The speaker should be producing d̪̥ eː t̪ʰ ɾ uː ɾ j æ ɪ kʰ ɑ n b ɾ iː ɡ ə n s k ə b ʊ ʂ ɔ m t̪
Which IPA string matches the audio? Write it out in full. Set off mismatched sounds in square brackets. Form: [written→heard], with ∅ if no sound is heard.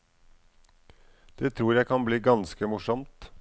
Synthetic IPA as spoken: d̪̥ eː t̪ʰ ɾ uː ɾ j æ ɪ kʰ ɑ n b [ɾ→l] iː ɡ [ə→ɑ] n s k ə [b→m] ʊ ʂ ɔ m t̪